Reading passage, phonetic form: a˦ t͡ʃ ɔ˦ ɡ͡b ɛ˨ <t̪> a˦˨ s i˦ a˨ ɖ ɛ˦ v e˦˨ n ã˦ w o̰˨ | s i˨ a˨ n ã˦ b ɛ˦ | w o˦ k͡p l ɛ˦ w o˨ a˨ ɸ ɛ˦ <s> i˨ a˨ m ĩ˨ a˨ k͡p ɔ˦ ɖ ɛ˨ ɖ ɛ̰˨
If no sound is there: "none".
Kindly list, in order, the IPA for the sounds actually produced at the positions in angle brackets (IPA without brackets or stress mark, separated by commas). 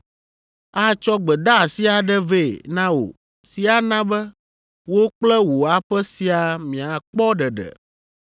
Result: d̪, s